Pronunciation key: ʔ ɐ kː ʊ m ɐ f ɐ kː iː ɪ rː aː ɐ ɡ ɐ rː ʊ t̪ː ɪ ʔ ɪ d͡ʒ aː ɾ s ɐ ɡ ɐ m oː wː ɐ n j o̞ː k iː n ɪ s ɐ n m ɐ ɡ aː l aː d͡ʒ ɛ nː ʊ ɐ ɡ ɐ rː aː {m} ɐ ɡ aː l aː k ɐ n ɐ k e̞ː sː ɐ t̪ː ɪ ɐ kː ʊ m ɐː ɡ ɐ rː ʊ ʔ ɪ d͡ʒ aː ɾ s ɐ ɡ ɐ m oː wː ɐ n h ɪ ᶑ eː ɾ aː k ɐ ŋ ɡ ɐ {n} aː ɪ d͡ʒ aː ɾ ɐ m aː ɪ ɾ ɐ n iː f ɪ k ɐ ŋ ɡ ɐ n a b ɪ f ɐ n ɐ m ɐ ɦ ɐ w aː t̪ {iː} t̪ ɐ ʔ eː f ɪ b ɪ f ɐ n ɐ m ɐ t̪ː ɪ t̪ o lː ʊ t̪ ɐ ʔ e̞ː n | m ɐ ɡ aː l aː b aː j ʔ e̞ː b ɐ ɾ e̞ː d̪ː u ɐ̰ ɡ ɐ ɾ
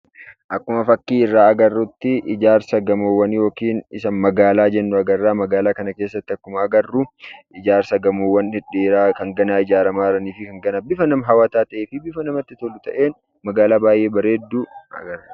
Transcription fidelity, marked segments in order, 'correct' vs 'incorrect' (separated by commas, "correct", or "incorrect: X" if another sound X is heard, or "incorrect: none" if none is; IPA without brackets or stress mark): correct, correct, incorrect: aː